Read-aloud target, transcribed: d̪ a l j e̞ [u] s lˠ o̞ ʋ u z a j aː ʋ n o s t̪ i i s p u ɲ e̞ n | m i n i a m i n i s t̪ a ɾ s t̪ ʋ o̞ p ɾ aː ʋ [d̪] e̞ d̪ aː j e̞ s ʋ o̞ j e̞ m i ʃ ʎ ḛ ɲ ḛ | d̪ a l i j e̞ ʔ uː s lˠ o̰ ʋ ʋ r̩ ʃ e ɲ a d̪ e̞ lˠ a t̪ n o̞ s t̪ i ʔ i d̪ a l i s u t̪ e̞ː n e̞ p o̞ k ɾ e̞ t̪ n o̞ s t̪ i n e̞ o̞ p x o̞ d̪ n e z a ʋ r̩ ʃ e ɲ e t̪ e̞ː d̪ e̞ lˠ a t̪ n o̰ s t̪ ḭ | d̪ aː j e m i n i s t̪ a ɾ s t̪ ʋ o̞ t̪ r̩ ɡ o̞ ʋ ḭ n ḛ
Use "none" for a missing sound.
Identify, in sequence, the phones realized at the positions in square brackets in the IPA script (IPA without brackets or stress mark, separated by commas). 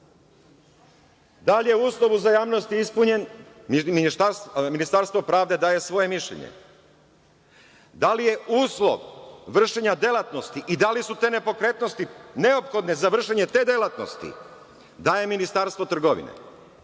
uː, d̪